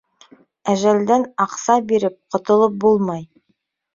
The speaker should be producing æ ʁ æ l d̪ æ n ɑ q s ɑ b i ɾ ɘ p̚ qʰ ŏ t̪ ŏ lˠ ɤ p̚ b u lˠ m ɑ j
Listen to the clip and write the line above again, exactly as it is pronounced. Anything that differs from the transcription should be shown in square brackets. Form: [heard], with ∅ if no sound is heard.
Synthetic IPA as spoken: æ [ʒ] æ l d̪ æ n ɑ q s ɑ b i ɾ ɘ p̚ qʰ ŏ t̪ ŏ lˠ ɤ p̚ b u lˠ m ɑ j